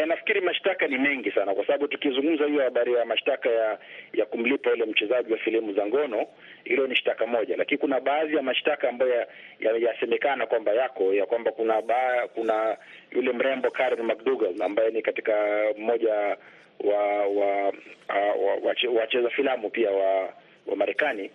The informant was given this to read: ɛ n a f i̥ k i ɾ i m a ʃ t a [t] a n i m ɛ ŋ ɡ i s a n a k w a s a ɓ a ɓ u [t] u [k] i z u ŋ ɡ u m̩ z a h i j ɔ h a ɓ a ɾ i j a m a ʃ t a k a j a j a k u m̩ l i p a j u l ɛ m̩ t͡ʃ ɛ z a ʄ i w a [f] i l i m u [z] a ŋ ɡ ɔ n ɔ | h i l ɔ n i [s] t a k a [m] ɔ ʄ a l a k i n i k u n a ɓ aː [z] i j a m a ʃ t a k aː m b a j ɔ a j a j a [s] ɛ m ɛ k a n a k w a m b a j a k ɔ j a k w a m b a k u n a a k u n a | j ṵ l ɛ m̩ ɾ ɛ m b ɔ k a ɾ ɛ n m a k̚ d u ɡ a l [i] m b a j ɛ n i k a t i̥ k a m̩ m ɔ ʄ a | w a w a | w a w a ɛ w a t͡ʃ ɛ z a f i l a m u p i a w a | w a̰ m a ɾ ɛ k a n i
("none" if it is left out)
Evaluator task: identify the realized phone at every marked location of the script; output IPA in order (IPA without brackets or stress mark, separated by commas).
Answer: k, t, k, f, z, ʃ, m, ð, s, a